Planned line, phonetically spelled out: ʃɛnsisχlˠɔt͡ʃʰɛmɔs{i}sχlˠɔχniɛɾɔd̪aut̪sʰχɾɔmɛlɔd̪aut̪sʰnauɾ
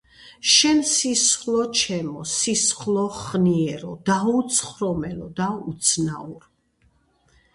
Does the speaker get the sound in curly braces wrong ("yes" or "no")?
no